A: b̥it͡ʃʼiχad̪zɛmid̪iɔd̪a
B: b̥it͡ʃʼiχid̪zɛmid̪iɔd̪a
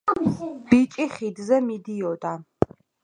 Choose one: B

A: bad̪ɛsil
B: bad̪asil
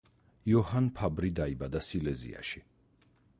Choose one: B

